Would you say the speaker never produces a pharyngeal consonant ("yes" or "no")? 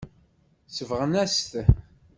yes